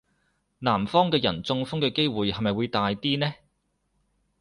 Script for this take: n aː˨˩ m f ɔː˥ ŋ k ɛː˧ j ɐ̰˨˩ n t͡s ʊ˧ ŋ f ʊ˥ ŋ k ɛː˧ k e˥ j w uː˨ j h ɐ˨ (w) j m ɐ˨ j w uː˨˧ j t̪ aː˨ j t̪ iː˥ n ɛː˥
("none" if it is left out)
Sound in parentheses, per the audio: none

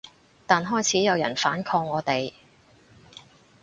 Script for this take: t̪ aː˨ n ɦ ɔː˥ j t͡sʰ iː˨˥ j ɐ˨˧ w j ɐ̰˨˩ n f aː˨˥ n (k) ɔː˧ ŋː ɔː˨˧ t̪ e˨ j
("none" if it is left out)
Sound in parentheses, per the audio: kʰ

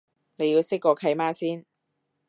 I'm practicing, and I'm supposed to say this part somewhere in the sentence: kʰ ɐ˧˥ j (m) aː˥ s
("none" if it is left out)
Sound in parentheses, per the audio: m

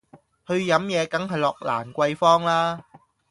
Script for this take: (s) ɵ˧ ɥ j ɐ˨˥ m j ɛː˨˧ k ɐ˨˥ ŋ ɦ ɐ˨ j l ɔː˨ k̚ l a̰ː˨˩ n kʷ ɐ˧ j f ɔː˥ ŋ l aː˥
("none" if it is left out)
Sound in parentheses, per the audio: h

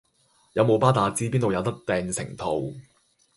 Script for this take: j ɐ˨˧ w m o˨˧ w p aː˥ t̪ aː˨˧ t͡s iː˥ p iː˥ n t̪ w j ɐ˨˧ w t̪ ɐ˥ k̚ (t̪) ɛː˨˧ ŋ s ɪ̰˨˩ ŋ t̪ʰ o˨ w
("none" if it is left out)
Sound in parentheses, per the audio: t̪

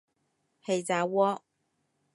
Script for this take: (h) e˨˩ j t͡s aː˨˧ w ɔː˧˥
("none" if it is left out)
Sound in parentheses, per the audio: h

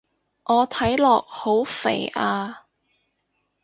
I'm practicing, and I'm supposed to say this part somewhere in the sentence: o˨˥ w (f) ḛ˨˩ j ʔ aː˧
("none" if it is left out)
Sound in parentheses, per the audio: f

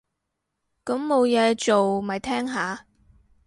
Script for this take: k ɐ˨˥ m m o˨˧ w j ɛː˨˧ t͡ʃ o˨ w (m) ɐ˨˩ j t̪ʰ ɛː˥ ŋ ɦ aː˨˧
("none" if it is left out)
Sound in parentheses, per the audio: m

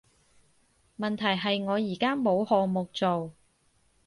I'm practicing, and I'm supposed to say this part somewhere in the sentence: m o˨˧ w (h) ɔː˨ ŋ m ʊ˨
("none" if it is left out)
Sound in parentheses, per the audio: h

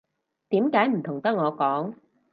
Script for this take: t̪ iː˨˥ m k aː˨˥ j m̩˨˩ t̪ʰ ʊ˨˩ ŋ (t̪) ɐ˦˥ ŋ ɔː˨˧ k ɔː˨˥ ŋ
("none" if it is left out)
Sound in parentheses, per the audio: t̪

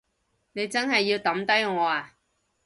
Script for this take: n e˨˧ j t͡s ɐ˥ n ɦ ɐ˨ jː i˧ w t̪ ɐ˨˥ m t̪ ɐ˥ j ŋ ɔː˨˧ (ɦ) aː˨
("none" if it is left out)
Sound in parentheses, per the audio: none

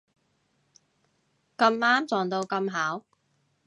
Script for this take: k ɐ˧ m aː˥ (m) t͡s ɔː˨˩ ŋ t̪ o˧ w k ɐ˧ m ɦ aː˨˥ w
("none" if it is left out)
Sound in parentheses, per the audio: m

